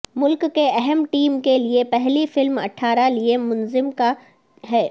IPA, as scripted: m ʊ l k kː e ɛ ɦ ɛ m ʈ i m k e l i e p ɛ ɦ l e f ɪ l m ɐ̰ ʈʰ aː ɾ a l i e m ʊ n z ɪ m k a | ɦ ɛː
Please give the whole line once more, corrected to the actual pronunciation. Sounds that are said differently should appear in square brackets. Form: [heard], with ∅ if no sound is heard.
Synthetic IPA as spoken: m ʊ l k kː e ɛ ɦ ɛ m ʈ [iː] m k e l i e p ɛ ɦ l [i] f ɪ l m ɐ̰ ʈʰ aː ɾ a l i e m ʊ n z ɪ m k a | ɦ ɛː